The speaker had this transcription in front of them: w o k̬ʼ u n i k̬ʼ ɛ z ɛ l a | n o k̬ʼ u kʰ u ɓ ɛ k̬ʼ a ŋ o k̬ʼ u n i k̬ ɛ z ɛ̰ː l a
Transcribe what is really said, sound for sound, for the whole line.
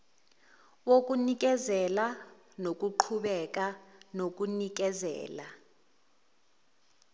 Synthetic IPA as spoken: w o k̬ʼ u n i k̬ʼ ɛ z ɛ l a | n o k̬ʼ u ǃʰ u ɓ ɛ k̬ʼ a n o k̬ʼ u n i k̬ ɛ z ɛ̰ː l a